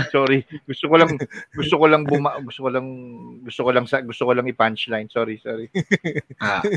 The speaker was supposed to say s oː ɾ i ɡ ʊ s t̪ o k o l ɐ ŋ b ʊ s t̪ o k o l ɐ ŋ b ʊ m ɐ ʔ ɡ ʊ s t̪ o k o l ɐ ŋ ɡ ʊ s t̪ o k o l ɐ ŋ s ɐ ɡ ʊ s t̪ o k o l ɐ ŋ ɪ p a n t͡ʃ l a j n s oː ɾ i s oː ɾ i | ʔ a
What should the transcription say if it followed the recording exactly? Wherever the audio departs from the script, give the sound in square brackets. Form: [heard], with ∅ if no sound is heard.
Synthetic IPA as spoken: s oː ɾ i ɡ ʊ s t̪ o k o l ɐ ŋ [ɡ] ʊ s t̪ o k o l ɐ ŋ b ʊ m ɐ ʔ ɡ ʊ s t̪ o k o l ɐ ŋ ɡ ʊ s t̪ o k o l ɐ ŋ s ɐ ɡ ʊ s t̪ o k o l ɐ ŋ ɪ p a n t͡ʃ l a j n s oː ɾ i s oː ɾ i | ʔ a